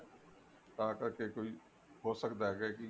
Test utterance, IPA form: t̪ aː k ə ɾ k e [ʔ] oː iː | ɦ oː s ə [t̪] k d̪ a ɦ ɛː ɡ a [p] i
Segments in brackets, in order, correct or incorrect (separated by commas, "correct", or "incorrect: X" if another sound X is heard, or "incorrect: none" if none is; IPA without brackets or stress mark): incorrect: k, incorrect: none, incorrect: k